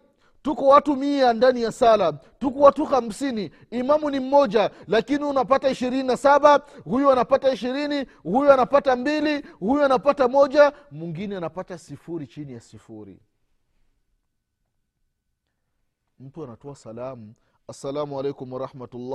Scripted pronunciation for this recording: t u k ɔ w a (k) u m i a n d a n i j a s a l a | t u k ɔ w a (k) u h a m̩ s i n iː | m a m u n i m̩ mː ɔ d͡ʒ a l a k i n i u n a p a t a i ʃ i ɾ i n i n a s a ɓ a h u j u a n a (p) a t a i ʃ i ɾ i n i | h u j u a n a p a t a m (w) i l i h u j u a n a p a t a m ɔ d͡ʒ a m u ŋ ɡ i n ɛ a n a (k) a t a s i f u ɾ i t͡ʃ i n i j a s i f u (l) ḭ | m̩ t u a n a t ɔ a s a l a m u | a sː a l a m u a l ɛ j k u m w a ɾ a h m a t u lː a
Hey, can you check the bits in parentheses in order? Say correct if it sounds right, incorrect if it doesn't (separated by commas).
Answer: incorrect, incorrect, correct, incorrect, incorrect, incorrect